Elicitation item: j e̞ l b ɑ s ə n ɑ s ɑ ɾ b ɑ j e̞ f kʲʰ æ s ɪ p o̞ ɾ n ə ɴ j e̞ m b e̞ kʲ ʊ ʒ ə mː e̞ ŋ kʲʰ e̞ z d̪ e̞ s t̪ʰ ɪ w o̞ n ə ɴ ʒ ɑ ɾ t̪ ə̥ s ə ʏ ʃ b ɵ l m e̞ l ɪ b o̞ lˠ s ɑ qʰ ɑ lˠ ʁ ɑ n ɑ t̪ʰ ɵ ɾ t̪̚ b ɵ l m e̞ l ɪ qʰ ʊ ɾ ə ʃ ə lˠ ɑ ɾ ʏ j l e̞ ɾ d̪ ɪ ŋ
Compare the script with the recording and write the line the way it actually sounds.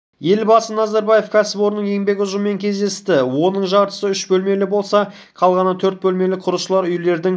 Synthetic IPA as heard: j e̞ l b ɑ s ə n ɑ z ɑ ɾ b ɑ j e̞ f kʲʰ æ s ɪ p o̞ ɾ n ə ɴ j e̞ ŋ b e̞ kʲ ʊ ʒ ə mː e̞ ŋ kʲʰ e̞ z d̪ e̞ s t̪ ɪ w o̞ n ə ɴ ʒ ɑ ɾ t̪ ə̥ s ə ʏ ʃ b ɵ l m e̞ l ɪ b o̞ lˠ s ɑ qʰ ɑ lˠ ʁ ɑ n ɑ t̪ʰ ɵ ɾ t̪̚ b ɵ l m e̞ l ɪ qʰ ʊ ɾ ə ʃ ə lˠ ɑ ɾ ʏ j l e̞ ɾ d̪ ɪ ŋ